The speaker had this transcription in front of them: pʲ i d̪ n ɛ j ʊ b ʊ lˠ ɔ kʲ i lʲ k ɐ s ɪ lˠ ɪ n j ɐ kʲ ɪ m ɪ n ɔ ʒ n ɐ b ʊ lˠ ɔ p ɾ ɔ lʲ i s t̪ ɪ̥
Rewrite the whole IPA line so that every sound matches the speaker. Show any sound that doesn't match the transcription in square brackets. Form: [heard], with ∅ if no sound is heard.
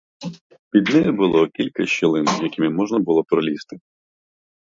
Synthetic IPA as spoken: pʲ i d̪ n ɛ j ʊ b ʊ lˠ ɔ kʲ i lʲ k ɐ [ʃ] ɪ lˠ ɪ n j ɐ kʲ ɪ m ɪ [m] ɔ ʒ n ɐ b ʊ lˠ ɔ p ɾ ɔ lʲ i s t̪ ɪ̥